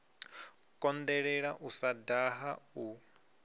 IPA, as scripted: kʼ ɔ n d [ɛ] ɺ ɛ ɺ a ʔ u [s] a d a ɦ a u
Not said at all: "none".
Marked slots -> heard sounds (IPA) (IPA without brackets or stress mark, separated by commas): ɛ, s